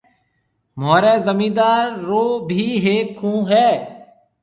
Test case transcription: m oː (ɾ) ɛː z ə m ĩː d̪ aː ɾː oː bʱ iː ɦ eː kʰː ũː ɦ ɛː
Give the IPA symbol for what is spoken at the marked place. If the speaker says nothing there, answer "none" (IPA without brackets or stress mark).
ɾ